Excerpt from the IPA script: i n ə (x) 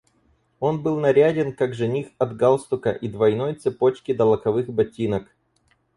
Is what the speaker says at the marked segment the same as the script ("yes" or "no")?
no